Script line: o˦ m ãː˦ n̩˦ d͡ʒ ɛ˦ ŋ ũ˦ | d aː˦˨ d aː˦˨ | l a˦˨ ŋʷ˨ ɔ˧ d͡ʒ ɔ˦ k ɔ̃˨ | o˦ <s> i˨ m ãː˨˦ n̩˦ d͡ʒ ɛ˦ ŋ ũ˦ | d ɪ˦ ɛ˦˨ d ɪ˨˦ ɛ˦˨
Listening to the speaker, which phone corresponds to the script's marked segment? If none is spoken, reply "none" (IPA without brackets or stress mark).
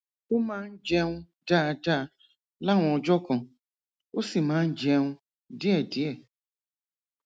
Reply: s